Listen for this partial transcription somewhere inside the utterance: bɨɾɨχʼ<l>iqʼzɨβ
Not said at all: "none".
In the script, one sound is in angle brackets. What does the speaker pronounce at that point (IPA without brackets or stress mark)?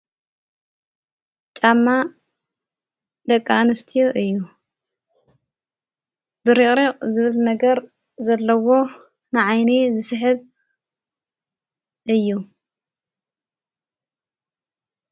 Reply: ɾ